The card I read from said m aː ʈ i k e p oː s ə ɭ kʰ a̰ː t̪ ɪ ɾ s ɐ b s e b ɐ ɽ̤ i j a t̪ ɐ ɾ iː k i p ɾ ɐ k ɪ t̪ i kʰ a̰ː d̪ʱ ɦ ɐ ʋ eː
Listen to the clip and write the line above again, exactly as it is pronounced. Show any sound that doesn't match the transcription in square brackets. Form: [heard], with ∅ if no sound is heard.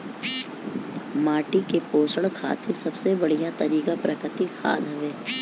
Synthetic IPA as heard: m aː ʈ i k e p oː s ə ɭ kʰ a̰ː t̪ ɪ ɾ s ɐ b s e b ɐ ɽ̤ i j a t̪ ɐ ɾ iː k [a] p ɾ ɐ k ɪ t̪ i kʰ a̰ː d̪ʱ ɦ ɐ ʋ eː